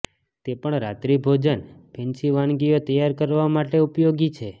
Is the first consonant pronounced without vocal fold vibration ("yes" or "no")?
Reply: yes